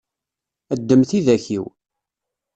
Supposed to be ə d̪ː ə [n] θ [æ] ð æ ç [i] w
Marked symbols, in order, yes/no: no, no, yes

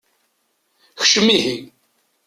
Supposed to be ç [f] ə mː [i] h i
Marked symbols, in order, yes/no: no, yes

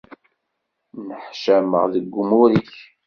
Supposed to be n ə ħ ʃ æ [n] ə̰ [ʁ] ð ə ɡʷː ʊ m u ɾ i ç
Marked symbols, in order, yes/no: no, yes

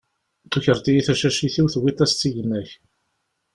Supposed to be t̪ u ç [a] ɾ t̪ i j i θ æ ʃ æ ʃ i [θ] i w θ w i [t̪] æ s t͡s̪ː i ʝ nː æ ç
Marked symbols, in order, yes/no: no, yes, yes

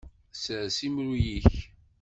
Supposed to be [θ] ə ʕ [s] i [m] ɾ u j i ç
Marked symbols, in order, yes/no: no, yes, yes

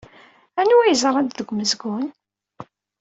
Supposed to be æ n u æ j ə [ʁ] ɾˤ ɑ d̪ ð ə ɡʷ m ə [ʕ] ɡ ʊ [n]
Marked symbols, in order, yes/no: no, no, yes

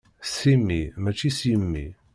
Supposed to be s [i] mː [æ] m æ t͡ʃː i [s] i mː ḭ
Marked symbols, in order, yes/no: yes, no, yes

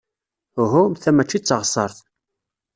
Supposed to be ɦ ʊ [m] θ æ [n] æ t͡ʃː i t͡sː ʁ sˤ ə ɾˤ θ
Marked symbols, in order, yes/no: yes, no

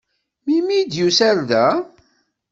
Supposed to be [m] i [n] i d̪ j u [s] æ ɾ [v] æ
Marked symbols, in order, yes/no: yes, no, yes, no

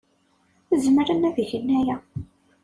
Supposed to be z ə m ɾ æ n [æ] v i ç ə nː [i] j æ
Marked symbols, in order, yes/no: yes, no

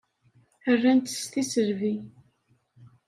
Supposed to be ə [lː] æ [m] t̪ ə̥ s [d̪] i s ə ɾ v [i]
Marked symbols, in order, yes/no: no, no, no, yes

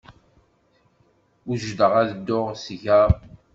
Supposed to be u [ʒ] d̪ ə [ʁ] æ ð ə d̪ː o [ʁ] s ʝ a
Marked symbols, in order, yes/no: yes, yes, yes

